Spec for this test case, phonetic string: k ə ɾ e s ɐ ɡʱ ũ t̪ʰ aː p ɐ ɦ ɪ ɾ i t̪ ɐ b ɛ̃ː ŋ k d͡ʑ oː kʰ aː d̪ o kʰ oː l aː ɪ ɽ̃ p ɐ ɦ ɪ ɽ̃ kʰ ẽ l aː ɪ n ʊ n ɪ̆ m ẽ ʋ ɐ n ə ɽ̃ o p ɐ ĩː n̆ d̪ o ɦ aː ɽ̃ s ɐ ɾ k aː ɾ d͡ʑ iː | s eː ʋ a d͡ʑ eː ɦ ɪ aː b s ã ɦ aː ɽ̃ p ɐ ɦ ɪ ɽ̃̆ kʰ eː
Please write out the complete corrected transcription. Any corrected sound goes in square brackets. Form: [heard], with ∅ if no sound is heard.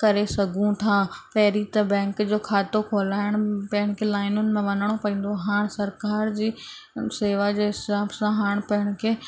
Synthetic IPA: k [ɐ] ɾ e s ɐ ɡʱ ũ t̪ʰ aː p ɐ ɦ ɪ ɾ i t̪ ɐ b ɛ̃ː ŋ k d͡ʑ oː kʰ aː [t̪] o kʰ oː l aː ɪ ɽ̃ p ɐ ɦ ɪ ɽ̃ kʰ [e] l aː ɪ n ʊ n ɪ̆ m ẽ ʋ ɐ n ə ɽ̃ o p ɐ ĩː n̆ d̪ o ɦ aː ɽ̃ s ɐ ɾ k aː ɾ d͡ʑ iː | s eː ʋ a d͡ʑ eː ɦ ɪ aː b s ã ɦ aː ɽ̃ p ɐ ɦ ɪ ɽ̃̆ kʰ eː